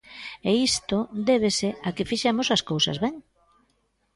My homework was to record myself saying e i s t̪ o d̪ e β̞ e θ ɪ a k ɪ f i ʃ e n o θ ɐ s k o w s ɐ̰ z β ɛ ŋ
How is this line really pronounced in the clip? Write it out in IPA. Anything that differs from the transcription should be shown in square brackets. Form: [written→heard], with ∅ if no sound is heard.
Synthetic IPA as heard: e i s t̪ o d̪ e β̞ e [θ→s] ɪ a k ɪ f i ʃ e [n→m] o [θ→s] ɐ s k o w s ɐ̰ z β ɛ ŋ